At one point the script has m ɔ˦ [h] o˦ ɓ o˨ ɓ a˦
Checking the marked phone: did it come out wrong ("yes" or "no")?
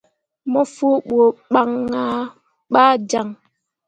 yes